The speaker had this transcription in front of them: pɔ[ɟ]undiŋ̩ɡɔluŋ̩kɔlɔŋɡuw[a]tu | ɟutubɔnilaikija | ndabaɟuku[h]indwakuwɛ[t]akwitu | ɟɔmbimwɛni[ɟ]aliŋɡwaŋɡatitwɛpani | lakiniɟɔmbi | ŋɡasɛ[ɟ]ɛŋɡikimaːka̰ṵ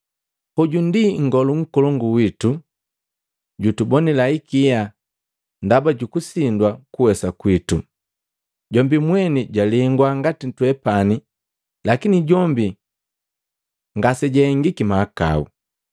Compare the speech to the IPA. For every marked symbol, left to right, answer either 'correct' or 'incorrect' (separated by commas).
correct, incorrect, incorrect, incorrect, correct, correct